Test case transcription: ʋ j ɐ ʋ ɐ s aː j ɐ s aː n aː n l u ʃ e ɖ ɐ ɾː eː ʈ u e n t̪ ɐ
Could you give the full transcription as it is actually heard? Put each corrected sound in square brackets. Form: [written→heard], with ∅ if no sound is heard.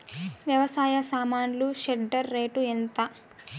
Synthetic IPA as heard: ʋ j ɐ ʋ ɐ s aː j ɐ s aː [n→m] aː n l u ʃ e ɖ ɐ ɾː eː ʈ u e n t̪ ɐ